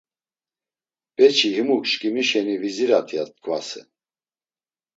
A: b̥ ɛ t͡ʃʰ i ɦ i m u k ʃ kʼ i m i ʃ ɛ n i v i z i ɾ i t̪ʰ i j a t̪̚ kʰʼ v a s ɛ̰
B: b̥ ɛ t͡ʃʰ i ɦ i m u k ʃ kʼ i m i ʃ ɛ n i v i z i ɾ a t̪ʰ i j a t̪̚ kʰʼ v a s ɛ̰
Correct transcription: B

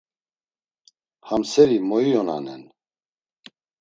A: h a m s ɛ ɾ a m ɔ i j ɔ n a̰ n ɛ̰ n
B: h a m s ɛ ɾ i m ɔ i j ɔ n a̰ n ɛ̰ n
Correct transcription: B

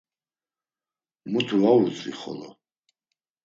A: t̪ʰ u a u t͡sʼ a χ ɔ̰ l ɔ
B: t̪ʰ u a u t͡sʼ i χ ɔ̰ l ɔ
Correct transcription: B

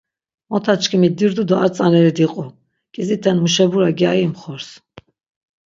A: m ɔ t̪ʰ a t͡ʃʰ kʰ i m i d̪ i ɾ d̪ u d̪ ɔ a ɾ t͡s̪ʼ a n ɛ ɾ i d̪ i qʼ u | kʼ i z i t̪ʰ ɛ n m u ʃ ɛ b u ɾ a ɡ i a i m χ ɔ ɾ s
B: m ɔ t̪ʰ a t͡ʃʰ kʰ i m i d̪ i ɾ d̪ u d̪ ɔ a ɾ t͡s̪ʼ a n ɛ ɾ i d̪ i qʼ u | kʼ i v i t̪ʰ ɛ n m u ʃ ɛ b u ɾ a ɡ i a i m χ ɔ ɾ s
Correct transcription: A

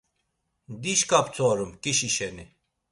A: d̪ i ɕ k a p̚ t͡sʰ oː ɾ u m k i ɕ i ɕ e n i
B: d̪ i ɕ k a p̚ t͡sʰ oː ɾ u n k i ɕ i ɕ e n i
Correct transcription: A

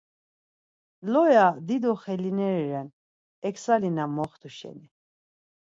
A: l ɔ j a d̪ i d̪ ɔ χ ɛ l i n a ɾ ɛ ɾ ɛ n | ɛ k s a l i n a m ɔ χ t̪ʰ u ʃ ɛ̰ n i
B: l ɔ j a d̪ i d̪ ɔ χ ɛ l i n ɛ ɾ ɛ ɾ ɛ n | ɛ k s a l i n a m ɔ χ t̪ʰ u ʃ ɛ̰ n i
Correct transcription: B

